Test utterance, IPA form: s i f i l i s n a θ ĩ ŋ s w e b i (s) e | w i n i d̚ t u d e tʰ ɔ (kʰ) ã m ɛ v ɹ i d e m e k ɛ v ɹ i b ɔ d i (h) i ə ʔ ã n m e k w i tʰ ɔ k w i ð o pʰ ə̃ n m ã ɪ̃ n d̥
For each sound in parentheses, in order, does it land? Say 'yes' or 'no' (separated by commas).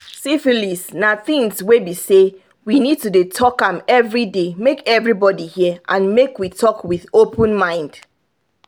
yes, no, yes